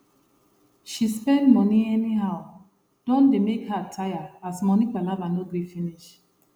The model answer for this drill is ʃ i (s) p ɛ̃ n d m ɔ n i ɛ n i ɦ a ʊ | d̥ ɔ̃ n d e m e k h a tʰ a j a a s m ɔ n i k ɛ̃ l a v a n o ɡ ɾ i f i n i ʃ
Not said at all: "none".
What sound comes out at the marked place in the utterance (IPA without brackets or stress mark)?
s